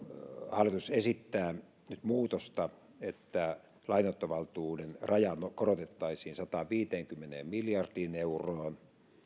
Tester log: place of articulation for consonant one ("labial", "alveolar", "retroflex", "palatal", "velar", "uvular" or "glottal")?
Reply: glottal